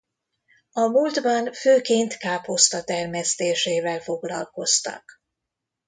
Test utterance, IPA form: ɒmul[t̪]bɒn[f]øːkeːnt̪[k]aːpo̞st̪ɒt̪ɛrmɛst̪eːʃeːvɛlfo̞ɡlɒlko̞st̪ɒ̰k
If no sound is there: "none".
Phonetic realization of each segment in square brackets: d̪, f, k

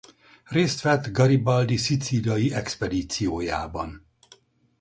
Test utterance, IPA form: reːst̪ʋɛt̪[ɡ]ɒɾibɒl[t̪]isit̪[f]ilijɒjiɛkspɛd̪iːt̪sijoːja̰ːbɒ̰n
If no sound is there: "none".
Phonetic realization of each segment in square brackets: ɡ, d̪, s

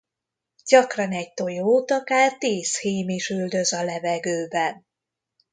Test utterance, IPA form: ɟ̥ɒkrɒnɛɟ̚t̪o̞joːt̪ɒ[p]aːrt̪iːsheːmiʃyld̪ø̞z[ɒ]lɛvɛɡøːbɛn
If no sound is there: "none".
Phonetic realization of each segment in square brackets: k, ɒ

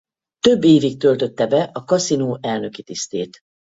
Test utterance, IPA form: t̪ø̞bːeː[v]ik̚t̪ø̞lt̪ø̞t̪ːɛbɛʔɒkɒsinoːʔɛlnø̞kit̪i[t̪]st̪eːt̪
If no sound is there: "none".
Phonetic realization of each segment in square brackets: v, none

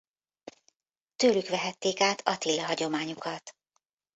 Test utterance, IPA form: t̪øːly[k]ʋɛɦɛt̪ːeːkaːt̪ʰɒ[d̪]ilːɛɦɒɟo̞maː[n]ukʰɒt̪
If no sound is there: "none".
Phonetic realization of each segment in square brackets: k, t̪, ɲ

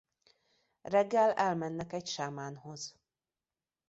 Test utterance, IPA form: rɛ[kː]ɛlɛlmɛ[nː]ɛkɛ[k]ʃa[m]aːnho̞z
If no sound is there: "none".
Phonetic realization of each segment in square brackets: ɡː, nː, c, m

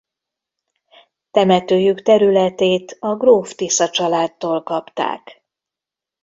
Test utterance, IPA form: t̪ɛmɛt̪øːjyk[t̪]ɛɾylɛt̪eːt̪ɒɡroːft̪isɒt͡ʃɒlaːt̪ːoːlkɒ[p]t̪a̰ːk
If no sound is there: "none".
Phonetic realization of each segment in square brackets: t̪, p

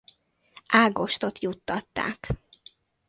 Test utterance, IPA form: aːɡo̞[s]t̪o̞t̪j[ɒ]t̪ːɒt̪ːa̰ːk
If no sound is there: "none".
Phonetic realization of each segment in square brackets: ʃ, u

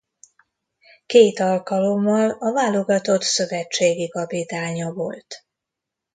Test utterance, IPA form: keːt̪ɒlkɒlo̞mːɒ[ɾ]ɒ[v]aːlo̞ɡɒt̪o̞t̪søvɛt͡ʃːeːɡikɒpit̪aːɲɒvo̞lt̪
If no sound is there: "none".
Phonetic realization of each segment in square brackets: l, v

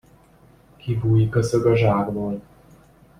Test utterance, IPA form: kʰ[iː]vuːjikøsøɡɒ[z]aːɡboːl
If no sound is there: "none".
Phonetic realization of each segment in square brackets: i, ʒ

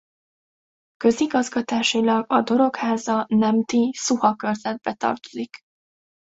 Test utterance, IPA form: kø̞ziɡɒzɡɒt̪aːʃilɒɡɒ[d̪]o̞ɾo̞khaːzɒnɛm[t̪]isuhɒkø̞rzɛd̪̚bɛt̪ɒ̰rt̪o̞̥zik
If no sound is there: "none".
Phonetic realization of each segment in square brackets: d̪, t̪

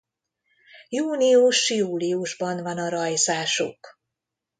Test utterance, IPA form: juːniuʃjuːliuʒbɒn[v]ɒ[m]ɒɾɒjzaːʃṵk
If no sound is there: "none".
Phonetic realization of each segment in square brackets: v, n

